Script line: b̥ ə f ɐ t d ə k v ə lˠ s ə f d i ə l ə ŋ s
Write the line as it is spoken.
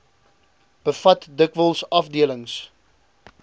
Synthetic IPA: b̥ ə f ɐ t d ə k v ə lˠ s ɐ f d i ə l ə ŋ s